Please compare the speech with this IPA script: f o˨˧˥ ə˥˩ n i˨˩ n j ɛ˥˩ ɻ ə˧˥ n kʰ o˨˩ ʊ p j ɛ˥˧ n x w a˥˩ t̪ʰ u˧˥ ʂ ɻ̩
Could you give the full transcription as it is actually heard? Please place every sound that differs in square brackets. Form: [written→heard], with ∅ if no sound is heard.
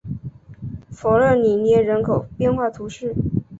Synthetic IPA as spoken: f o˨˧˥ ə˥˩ n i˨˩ n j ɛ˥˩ ɻ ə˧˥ n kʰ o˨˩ ʊ p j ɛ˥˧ n x w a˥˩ t̪ʰ u˧˥ ʂ ɻ̩